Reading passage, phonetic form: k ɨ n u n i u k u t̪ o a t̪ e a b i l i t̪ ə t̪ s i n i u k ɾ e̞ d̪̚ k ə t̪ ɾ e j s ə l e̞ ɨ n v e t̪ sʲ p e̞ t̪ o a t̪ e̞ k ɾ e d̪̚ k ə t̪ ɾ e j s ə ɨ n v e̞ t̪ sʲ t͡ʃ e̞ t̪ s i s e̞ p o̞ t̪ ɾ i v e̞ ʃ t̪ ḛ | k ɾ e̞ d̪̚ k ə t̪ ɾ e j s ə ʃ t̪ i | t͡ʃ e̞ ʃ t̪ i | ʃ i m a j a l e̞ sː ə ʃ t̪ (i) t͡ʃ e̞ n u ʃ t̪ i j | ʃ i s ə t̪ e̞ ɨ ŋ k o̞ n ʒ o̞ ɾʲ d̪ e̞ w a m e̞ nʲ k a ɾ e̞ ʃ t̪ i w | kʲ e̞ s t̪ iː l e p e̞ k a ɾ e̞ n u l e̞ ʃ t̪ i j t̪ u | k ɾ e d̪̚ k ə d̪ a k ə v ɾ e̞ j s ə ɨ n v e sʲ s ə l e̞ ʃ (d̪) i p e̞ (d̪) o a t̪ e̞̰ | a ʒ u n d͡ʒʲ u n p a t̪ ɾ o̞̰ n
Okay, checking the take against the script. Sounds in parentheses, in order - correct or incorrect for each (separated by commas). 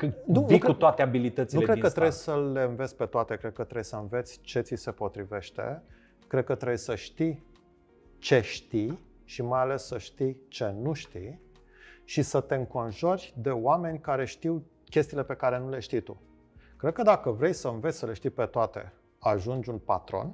correct, incorrect, incorrect